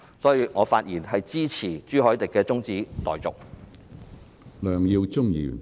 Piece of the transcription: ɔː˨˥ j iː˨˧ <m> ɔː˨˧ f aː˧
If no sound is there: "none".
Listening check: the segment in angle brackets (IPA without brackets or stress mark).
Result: ŋ